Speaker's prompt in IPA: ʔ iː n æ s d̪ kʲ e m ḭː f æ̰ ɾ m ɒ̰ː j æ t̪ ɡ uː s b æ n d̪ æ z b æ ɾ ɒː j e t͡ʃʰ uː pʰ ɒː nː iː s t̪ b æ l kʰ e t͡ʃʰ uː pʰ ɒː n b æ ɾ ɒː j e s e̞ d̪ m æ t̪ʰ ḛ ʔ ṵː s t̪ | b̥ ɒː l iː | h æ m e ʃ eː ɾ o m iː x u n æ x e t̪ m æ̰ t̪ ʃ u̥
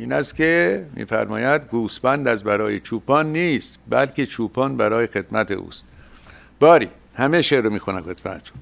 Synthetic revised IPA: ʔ iː n æ s t̪ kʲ e m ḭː f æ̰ ɾ m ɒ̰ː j æ d̪ ɡ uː s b æ n d̪ æ z b æ ɾ ɒː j e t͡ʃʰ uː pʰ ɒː nː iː s t̪ b æ l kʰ e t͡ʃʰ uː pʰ ɒː n b æ ɾ ɒː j e x e̞ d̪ m æ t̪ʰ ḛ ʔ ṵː s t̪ | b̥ ɒː ɾ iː | h æ m e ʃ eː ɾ o m iː x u n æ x e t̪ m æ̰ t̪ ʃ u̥